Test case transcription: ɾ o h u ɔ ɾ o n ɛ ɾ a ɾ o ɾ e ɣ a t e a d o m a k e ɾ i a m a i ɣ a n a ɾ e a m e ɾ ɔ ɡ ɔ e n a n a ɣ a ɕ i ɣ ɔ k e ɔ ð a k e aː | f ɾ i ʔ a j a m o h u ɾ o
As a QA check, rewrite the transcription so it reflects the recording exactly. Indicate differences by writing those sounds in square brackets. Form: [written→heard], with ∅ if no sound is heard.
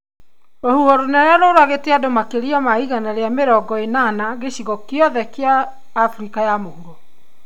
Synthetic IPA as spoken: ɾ o h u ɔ ɾ o n ɛ ɾ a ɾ o ɾ [e→a] ɣ [a→e] t e a d o m a k e ɾ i a m a i ɣ a n a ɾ e a m e ɾ ɔ ɡ ɔ e n a n a ɣ [a→e] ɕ i ɣ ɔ k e ɔ ð [a→ɛ] k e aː | f ɾ i [ʔ→k] a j a m o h u ɾ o